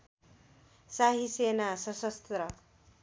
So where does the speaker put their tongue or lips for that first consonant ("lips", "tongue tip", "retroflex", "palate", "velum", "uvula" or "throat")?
tongue tip